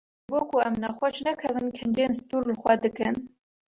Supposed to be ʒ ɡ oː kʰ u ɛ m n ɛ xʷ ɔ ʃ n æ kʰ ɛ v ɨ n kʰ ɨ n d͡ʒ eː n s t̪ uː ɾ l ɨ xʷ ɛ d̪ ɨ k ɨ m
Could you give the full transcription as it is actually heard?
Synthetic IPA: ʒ ɡ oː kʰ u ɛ m n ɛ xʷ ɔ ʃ n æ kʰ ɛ v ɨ n kʰ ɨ n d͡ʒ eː n s t̪ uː ɾ l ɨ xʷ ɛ d̪ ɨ k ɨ n